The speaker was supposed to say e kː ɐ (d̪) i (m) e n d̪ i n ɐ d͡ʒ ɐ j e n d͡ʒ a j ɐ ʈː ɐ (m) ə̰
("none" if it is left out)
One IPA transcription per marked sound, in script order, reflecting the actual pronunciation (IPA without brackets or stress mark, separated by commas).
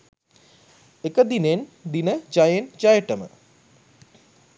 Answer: d̪, n, m